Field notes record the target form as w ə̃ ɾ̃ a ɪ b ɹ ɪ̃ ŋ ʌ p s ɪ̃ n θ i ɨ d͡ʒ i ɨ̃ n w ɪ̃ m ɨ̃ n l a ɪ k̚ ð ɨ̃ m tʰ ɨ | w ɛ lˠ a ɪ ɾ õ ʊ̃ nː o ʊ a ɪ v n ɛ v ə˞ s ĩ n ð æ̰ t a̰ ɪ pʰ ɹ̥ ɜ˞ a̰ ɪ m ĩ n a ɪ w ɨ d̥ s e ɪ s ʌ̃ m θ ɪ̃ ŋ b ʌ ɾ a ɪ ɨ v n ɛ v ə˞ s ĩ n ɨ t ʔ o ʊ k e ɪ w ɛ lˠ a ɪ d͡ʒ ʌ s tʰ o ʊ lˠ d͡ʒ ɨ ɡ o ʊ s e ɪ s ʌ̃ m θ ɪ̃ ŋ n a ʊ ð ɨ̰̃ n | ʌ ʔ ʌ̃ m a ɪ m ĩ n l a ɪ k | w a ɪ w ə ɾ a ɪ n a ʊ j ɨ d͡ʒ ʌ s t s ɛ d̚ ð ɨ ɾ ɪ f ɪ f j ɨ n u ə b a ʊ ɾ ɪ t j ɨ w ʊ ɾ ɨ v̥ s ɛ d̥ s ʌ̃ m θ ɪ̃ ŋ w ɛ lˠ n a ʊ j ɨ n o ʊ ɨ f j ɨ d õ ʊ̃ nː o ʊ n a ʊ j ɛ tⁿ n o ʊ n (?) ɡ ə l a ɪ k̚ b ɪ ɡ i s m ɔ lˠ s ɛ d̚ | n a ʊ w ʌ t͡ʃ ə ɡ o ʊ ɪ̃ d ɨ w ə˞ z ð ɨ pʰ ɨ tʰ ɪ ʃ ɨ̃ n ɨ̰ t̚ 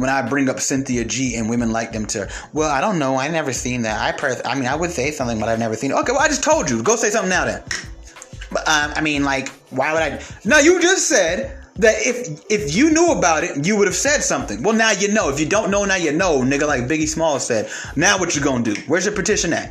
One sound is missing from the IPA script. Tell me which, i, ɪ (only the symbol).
ɪ